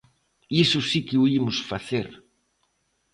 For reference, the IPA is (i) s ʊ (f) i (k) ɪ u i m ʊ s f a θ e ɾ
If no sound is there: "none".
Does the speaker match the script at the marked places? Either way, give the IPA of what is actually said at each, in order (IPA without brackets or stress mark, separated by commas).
i, s, k